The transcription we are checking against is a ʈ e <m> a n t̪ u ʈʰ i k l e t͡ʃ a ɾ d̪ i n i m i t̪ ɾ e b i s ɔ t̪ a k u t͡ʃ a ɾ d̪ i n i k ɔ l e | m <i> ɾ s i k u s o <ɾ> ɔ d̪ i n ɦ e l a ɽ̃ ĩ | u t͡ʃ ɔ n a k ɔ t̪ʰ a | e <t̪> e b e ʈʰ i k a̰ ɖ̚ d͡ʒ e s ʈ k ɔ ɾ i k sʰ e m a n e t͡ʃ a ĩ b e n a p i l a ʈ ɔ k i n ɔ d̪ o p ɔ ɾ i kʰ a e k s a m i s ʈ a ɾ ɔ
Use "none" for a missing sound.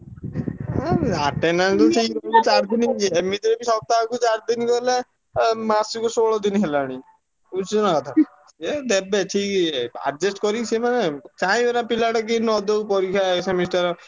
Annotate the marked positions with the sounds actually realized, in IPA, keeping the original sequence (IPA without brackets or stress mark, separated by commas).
n, a, ɭ, d̪